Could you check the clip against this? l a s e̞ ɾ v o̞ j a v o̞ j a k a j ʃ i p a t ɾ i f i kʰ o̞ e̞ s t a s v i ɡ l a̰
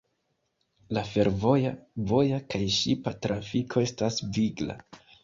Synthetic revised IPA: l a f e̞ ɾ v o̞ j a v o̞ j a k a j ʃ i p a t ɾ a f i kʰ o̞ e̞ s t a s v i ɡ l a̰